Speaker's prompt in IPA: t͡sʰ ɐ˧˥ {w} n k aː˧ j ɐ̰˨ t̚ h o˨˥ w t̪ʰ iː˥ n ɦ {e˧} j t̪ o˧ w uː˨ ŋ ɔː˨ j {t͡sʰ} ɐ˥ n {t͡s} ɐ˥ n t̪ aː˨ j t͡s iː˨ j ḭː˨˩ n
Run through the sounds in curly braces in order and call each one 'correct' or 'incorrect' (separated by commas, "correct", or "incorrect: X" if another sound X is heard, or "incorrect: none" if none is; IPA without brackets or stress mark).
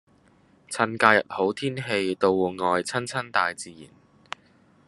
incorrect: none, correct, correct, incorrect: t͡sʰ